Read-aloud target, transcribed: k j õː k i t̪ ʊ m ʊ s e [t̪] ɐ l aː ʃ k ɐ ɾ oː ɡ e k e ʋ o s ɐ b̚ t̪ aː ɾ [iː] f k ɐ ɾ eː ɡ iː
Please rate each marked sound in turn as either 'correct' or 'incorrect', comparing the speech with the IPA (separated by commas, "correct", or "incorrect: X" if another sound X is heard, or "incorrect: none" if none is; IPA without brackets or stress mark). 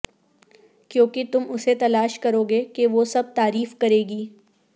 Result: correct, correct